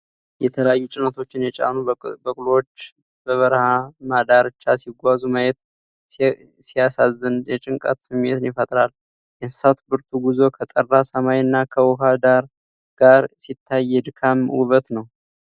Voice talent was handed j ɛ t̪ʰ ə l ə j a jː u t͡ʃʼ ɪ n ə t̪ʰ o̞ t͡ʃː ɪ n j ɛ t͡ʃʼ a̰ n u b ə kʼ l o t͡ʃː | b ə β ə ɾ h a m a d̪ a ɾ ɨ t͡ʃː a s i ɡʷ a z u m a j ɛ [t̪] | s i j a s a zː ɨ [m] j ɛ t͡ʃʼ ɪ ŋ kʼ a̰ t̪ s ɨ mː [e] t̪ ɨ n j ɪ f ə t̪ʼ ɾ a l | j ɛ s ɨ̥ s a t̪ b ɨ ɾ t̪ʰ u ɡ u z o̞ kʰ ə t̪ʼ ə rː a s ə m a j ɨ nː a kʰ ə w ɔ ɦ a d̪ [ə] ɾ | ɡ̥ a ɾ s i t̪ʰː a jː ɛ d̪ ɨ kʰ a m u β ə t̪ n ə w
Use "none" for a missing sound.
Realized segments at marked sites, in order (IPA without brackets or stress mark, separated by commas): t̪, n, e, a